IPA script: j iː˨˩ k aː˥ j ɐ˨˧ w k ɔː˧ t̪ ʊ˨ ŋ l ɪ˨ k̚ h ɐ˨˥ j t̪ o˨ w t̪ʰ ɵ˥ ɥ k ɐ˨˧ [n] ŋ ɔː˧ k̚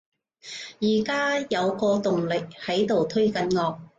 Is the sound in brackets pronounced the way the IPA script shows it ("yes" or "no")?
yes